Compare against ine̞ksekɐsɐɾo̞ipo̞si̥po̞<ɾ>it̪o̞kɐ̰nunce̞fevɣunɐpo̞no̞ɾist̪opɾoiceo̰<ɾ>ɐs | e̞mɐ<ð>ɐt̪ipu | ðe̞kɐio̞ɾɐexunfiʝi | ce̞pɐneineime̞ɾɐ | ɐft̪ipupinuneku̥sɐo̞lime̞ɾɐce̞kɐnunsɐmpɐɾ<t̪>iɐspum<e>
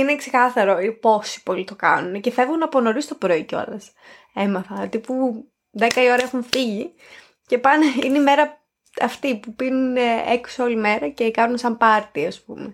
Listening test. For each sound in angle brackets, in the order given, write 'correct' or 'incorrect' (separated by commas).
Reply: incorrect, incorrect, incorrect, correct, correct